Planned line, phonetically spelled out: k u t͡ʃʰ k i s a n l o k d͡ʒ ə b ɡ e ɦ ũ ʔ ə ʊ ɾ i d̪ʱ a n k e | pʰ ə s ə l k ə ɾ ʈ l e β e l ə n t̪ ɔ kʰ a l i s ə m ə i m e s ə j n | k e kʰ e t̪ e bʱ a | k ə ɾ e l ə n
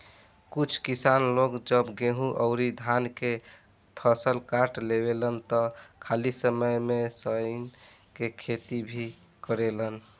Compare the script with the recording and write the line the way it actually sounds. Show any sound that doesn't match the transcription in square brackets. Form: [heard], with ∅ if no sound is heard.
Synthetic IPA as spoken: k u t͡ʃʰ k i s a n l o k d͡ʒ ə b ɡ e ɦ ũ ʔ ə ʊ ɾ i d̪ʱ a n k e | pʰ ə s ə l k [a] ɾ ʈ l e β e l ə n t̪ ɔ kʰ a l i s ə m ə [j] m e s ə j n | k e kʰ e t̪ [i] bʱ [i] | k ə ɾ e l ə n